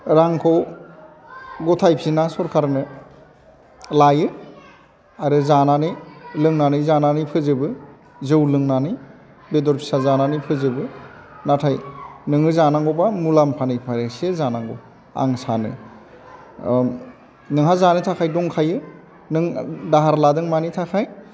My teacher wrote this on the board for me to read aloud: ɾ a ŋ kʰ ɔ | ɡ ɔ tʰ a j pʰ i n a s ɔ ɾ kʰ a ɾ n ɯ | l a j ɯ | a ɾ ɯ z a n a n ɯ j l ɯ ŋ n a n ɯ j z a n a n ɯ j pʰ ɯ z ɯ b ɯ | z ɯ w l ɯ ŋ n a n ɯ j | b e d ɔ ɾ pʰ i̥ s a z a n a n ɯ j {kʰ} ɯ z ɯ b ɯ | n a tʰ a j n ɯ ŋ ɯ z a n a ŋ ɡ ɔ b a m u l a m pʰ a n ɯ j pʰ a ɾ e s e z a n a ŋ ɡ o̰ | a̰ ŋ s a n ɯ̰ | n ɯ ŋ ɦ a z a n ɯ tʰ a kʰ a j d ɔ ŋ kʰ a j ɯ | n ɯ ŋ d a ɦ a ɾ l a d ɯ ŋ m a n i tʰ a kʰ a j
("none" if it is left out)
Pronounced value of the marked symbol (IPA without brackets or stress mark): pʰ